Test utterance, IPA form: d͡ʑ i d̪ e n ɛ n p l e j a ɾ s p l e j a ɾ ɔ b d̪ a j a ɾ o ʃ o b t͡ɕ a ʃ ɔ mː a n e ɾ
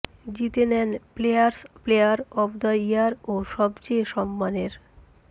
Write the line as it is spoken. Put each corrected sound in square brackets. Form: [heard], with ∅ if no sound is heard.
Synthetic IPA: d͡ʑ i [t̪] e n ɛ n p l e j a ɾ s p l e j a ɾ ɔ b d̪ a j a ɾ o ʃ [ɔ] b t͡ɕ [e] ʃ ɔ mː a n e ɾ